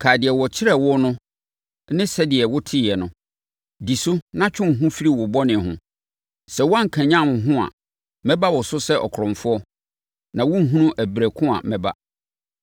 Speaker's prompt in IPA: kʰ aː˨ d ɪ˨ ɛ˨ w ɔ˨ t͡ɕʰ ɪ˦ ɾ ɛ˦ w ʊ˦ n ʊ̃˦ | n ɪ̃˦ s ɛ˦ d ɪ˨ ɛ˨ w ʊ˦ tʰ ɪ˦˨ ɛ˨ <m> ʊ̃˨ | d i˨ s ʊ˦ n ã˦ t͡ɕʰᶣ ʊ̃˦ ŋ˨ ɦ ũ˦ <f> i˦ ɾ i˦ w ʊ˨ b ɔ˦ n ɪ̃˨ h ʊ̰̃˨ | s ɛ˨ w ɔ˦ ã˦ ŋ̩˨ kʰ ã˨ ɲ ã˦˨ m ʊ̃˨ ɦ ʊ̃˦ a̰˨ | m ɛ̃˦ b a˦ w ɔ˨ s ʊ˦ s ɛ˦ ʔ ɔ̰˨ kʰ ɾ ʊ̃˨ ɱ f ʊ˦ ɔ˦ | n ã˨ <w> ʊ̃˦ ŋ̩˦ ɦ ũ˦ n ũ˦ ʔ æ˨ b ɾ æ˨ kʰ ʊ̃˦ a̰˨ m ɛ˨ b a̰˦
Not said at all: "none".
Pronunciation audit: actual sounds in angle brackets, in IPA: n, f, w

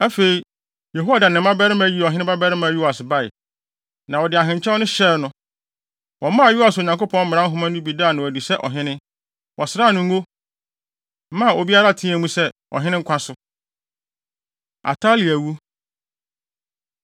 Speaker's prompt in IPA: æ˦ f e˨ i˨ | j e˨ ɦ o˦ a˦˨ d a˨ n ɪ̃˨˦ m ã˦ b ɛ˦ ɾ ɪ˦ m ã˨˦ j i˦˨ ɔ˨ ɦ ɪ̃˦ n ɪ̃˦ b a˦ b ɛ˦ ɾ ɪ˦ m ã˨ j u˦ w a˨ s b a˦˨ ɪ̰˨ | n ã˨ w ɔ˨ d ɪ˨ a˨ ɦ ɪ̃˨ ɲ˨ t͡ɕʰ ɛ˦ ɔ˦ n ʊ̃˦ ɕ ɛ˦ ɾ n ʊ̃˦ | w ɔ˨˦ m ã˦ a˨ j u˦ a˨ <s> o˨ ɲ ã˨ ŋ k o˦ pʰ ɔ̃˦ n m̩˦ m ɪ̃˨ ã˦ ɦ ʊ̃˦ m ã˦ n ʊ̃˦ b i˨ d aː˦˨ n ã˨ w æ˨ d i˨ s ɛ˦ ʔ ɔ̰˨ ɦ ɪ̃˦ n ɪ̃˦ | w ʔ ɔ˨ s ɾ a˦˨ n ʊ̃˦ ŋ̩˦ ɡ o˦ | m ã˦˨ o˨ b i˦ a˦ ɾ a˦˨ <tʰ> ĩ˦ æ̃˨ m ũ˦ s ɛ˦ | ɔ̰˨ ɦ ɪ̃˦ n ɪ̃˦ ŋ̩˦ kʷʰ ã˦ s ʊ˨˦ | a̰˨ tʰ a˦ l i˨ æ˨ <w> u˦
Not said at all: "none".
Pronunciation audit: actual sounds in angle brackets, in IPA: s, tʰ, w

